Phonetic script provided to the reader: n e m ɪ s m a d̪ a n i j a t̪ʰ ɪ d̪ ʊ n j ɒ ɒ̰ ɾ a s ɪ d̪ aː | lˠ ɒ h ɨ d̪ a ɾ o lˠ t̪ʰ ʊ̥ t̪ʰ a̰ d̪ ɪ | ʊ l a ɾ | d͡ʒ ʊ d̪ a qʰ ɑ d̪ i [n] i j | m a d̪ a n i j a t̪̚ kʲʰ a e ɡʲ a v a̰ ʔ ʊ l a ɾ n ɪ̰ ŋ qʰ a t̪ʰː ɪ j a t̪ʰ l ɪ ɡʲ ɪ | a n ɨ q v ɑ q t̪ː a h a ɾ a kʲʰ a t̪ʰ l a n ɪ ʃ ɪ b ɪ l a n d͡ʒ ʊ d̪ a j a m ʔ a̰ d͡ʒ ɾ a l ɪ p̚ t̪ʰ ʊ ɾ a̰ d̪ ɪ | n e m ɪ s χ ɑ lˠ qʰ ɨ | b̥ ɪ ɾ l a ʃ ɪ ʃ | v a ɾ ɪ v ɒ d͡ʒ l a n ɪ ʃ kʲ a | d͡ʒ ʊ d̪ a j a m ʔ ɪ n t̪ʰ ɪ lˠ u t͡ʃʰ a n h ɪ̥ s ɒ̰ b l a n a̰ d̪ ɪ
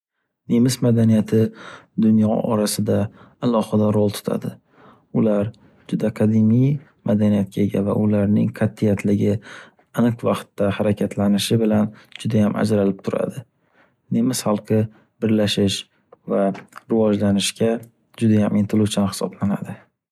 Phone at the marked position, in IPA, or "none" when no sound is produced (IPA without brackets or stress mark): m